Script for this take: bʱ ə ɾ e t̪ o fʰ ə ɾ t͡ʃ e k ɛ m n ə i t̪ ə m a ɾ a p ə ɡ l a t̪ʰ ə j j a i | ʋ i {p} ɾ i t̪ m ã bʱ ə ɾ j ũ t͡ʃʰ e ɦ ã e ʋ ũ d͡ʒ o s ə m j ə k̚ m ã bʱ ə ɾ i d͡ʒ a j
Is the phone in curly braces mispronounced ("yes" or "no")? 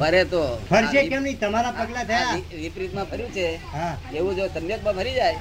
no